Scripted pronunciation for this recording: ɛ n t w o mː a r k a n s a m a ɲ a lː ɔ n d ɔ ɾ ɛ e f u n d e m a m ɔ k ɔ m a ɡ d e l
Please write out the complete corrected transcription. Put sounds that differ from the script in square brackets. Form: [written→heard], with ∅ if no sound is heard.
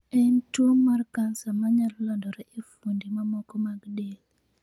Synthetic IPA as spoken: ɛ n t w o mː a r k a n s a m a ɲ a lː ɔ n d ɔ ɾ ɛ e f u n d [e→i] m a m ɔ k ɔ m a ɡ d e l